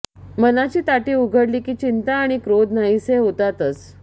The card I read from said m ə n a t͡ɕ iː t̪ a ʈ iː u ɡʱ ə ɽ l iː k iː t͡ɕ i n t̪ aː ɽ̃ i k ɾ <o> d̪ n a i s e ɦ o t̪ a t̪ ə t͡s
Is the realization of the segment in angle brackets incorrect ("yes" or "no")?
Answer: no